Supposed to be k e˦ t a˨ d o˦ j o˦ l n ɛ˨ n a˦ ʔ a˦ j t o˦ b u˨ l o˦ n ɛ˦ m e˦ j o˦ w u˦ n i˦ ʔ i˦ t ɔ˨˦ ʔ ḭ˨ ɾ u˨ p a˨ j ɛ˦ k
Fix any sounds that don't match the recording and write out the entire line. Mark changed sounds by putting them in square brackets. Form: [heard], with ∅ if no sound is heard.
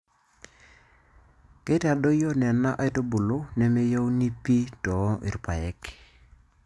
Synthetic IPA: k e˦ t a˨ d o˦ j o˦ [∅] n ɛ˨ n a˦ ʔ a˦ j t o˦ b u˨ l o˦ n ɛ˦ m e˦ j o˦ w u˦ n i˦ [p] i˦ t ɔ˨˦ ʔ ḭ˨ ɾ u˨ p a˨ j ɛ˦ k